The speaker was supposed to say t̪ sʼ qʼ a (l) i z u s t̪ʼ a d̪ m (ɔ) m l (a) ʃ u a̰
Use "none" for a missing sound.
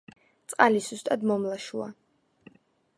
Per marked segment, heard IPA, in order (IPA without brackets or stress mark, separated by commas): l, ɔ, a